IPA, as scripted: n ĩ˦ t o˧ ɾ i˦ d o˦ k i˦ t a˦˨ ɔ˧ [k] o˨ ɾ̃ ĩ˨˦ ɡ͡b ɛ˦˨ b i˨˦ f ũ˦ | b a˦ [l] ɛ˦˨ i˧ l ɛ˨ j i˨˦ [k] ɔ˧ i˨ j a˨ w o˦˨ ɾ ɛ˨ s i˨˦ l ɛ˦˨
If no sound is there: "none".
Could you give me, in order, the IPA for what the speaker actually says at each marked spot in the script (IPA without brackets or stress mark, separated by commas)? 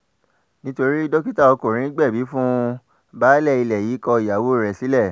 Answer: k, l, k